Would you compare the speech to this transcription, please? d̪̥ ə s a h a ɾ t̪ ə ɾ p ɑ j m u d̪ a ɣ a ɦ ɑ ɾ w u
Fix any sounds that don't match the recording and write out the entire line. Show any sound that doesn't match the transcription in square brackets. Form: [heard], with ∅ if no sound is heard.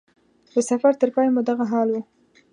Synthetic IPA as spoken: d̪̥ ə s a [f] a ɾ t̪ ə ɾ p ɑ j m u d̪ a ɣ a ɦ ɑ [l] w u